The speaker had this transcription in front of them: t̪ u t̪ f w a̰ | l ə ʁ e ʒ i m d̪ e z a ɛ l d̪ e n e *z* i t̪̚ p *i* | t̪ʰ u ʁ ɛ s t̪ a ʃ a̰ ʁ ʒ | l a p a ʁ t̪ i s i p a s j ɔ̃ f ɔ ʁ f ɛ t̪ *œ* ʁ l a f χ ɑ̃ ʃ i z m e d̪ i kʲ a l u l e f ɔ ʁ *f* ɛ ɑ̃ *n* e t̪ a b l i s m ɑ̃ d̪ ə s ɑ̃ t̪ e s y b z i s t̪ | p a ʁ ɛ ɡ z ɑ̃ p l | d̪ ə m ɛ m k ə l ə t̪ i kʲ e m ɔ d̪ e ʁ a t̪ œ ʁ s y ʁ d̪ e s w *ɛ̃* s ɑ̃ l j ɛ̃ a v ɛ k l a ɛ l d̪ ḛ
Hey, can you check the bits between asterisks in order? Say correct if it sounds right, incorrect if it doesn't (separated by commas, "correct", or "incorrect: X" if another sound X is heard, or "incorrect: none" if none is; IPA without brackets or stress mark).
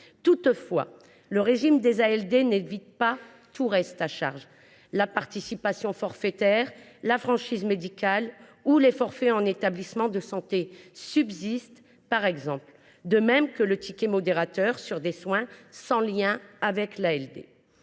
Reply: incorrect: v, incorrect: a, incorrect: ɛ, correct, correct, correct